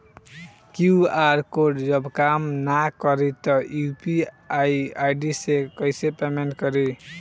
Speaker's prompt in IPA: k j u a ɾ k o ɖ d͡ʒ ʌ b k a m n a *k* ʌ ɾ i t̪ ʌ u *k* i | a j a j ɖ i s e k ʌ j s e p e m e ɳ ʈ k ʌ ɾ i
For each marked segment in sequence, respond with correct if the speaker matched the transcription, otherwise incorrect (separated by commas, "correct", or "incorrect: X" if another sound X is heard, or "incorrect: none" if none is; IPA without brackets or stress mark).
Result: correct, incorrect: p